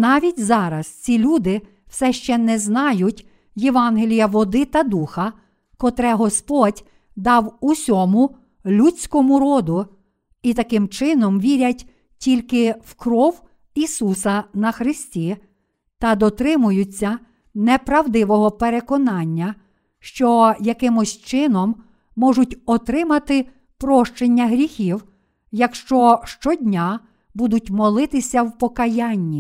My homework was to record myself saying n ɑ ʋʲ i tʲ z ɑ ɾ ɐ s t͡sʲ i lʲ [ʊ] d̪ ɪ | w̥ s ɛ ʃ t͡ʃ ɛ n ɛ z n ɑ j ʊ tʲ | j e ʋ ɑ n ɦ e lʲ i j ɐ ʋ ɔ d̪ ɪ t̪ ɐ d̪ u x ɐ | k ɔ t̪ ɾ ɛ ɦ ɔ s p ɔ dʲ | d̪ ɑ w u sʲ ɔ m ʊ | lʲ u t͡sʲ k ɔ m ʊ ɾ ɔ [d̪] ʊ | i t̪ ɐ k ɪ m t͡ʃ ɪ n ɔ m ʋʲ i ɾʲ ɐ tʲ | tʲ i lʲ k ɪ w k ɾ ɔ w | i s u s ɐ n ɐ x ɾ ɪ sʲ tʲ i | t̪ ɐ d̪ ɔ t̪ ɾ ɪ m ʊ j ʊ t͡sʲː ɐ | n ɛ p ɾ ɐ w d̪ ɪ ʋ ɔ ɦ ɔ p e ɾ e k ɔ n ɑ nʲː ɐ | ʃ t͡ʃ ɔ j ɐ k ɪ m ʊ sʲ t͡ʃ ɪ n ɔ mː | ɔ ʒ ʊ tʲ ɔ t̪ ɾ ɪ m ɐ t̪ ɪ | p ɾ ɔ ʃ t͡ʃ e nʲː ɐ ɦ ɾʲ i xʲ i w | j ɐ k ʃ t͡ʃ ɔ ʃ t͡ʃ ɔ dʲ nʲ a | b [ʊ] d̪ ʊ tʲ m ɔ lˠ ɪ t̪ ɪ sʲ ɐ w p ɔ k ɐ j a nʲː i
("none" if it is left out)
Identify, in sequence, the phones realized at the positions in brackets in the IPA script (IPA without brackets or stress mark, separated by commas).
u, d̪, u